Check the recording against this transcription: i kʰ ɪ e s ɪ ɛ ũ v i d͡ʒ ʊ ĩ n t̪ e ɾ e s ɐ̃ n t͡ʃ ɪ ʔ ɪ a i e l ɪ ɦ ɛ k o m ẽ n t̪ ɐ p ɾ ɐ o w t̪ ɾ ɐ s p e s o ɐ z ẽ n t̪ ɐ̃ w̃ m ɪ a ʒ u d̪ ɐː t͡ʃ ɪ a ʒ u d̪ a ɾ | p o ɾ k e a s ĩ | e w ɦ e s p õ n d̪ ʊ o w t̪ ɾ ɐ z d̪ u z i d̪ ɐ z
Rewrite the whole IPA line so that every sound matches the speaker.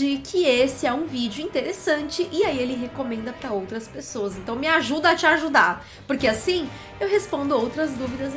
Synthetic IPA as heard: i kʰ ɪ e s ɪ ɛ ũ v i d͡ʒ ʊ ĩ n t̪ e ɾ e s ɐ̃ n t͡ʃ ɪ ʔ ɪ a i e l ɪ ɦ e k o m ẽ n d̪ ɐ p ɾ ɐ o w t̪ ɾ ɐ s p e s o ɐ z ẽ n t̪ ɐ̃ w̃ m ɪ a ʒ u d̪ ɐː t͡ʃ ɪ a ʒ u d̪ a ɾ | p o ɾ k e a s ĩ | e w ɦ e s p õ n d̪ ʊ o w t̪ ɾ ɐ z d̪ u v i d̪ ɐ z